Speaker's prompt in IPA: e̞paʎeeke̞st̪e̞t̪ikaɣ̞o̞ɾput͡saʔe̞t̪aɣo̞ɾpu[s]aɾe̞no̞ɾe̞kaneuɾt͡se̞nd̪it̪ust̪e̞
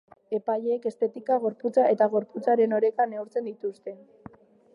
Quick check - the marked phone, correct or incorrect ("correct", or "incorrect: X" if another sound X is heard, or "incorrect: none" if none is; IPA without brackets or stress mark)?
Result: incorrect: t͡s